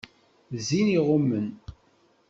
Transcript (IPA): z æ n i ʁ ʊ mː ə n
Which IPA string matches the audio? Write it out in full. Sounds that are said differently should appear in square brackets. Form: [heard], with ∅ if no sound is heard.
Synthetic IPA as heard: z [i] n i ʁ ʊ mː ə n